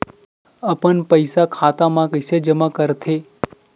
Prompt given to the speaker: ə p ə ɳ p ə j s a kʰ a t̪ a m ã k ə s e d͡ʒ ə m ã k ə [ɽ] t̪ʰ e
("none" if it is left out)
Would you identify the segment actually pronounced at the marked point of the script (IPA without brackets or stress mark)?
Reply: ɾ